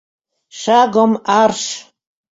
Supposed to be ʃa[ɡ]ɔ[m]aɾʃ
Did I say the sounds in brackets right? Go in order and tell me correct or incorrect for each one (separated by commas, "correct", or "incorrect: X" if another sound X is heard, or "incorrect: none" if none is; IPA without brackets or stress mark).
correct, correct